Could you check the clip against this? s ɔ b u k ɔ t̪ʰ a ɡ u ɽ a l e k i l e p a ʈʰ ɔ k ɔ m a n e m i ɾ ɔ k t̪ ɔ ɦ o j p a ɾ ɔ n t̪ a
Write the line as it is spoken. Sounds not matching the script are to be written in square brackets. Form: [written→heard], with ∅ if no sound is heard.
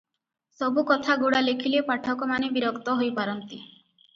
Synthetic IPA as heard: s ɔ b u k ɔ t̪ʰ a ɡ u ɽ a l e [k→kʰ] i l e p a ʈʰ ɔ k ɔ m a n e [m→b] i ɾ ɔ k t̪ ɔ ɦ o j p a ɾ ɔ n t̪ [a→i]